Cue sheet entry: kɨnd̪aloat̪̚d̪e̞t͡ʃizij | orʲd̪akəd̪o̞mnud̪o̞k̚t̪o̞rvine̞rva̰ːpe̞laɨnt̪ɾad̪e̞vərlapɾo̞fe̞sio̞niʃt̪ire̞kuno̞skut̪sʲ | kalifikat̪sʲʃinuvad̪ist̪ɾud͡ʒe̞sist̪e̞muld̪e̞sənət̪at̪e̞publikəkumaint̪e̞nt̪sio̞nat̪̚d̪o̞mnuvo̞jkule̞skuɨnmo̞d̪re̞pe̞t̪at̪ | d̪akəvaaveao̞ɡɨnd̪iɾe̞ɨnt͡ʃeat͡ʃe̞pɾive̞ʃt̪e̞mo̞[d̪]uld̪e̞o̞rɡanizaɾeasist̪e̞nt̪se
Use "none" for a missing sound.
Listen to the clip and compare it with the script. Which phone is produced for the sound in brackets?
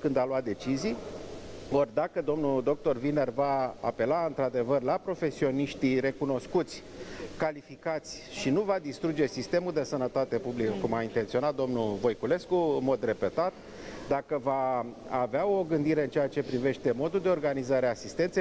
d̪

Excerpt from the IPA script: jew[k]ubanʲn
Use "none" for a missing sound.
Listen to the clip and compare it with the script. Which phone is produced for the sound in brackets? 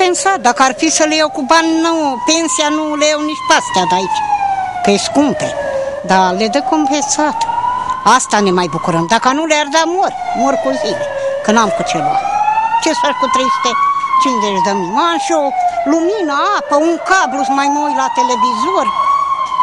k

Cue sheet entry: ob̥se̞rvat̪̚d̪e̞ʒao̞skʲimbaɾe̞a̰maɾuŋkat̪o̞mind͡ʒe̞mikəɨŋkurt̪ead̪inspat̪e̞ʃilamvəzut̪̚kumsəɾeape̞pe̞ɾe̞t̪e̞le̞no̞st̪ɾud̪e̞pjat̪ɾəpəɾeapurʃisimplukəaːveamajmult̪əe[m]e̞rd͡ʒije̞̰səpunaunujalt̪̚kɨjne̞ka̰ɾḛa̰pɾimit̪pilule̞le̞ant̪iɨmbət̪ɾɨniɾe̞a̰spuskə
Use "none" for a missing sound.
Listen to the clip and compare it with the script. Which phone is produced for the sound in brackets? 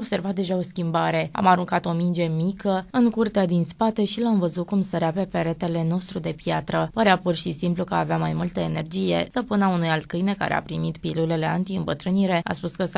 n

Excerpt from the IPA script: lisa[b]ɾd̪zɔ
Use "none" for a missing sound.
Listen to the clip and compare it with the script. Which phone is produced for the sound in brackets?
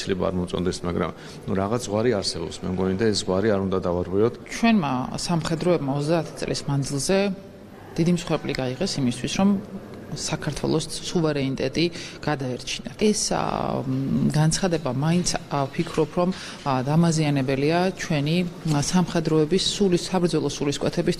b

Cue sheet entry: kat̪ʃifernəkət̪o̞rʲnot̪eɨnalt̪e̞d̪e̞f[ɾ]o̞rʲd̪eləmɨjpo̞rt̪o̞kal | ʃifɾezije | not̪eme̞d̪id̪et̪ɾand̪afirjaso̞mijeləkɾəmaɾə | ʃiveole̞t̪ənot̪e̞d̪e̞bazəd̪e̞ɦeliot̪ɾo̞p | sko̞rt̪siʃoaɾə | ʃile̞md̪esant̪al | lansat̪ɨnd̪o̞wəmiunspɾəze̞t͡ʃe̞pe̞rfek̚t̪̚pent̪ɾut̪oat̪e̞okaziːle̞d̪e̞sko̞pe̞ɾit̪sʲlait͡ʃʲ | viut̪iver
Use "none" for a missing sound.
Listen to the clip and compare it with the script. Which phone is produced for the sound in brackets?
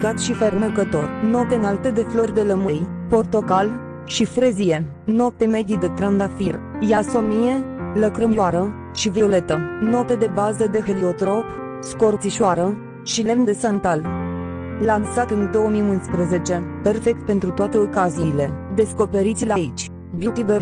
l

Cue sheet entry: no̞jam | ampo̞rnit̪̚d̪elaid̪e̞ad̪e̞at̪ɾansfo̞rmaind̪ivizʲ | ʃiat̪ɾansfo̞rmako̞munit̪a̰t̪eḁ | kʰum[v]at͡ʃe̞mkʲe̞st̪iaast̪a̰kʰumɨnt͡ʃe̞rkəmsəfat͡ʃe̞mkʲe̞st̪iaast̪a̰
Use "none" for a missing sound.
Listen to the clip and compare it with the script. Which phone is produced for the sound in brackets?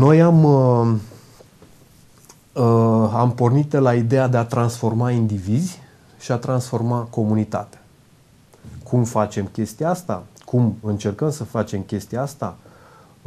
f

